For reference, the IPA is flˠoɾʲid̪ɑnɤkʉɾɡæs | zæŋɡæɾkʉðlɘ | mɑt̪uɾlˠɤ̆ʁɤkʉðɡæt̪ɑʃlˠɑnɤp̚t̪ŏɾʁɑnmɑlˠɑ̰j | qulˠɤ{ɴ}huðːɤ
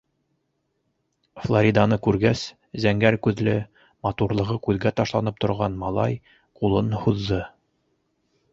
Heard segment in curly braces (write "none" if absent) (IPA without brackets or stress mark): n